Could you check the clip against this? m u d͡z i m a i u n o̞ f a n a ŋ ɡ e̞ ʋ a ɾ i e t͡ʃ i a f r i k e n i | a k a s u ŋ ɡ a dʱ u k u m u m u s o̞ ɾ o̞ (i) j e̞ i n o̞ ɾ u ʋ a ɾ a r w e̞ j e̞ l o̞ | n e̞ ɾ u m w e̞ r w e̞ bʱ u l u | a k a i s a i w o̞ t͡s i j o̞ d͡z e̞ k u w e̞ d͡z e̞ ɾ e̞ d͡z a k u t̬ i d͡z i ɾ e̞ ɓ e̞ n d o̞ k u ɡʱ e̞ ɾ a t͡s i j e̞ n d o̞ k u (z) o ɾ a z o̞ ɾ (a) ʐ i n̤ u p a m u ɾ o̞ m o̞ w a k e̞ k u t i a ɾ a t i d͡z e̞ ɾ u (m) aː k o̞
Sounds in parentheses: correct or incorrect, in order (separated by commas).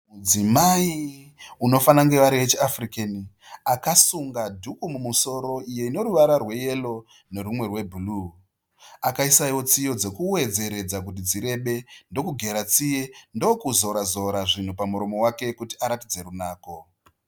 correct, correct, correct, incorrect